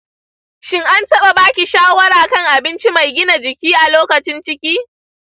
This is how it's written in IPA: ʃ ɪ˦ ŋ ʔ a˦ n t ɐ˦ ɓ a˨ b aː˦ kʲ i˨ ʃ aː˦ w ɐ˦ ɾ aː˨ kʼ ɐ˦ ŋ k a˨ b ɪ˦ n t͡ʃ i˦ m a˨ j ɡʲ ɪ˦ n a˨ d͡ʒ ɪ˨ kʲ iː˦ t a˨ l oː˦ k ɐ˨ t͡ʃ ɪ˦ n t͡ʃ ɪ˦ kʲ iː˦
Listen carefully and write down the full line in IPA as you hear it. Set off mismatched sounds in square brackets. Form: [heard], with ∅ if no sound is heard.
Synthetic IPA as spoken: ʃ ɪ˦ ŋ ʔ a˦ n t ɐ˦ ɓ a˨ b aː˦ kʲ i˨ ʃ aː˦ w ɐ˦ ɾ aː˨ [k] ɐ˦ ŋ [ʔ] a˨ b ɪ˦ n t͡ʃ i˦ m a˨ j ɡʲ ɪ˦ n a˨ d͡ʒ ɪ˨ kʲ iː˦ [ʔ] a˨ l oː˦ k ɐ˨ t͡ʃ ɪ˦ n t͡ʃ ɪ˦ kʲ iː˦